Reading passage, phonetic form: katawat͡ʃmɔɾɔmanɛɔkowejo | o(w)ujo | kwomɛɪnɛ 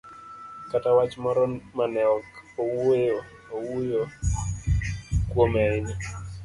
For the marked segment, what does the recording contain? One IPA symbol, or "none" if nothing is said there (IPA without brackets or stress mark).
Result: w